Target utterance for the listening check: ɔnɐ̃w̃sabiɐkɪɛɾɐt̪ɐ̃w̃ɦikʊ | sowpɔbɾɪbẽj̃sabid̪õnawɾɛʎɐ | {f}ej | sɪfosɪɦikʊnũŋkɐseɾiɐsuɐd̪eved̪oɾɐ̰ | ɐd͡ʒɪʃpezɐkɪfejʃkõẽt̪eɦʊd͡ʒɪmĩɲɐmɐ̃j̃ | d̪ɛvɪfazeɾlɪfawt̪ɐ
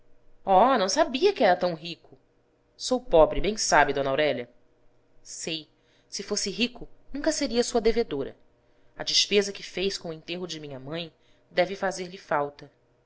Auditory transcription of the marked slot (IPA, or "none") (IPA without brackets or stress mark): s